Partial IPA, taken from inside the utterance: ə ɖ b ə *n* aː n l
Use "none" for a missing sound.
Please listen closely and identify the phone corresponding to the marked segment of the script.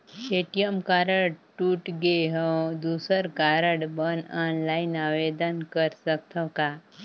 n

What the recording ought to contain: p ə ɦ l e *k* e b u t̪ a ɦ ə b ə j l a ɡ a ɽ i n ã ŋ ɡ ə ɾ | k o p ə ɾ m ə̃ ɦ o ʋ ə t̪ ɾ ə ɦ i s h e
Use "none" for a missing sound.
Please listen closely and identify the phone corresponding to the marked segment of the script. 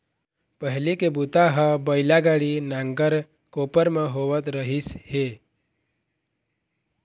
k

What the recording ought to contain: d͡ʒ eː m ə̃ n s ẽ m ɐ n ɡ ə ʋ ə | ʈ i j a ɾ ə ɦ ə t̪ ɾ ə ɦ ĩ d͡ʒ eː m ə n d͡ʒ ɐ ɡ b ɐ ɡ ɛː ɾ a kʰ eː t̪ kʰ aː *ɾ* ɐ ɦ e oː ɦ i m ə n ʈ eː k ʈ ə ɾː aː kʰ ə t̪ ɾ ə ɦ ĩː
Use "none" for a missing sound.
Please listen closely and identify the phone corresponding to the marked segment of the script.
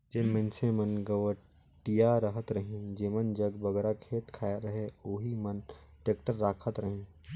ɾ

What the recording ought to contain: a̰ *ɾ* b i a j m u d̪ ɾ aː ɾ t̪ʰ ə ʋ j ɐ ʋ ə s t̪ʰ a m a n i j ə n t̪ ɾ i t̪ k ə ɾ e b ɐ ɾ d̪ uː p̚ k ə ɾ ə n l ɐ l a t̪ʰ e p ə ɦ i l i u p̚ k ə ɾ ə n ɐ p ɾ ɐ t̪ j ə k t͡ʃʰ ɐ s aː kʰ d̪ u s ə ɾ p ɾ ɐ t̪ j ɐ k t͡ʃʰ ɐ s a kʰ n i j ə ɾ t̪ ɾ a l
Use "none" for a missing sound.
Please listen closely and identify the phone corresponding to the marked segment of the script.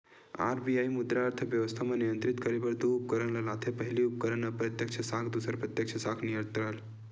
ɾ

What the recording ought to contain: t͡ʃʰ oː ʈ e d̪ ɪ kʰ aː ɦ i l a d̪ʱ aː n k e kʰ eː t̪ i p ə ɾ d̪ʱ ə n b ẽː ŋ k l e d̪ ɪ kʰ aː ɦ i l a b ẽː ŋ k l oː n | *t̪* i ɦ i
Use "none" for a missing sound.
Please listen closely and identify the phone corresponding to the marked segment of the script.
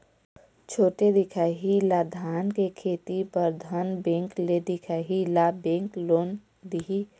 d̪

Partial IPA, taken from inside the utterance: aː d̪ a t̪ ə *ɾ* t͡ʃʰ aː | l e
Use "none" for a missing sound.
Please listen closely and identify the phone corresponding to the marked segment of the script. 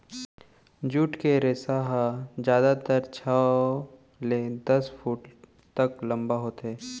ɾ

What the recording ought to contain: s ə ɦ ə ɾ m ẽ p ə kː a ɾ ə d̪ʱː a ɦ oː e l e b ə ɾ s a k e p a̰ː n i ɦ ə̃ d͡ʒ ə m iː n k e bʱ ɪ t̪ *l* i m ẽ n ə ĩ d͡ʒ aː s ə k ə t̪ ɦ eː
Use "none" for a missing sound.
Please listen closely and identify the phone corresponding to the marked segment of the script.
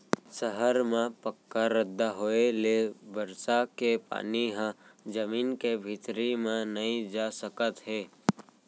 ɾ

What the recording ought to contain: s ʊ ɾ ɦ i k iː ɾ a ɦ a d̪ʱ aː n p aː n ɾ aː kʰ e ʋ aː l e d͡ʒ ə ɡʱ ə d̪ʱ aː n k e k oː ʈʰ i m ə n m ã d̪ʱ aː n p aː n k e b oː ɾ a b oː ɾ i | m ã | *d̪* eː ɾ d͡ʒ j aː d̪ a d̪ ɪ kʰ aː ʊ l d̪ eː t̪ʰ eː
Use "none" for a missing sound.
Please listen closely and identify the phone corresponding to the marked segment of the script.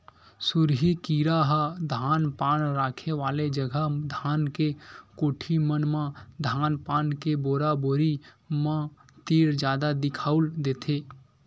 t̪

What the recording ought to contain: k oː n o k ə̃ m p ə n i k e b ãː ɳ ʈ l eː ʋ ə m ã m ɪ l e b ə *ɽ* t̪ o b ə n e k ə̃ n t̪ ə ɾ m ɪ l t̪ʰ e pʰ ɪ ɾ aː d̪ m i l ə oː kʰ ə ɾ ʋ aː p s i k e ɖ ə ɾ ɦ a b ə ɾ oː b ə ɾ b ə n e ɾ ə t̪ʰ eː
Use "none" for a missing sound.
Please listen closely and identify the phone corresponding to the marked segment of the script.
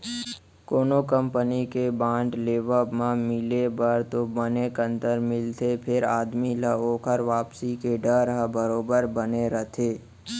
ɾ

